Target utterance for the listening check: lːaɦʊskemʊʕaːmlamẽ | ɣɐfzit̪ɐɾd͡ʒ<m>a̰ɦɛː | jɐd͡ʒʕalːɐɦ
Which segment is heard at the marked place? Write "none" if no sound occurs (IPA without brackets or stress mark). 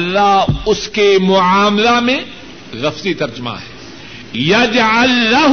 m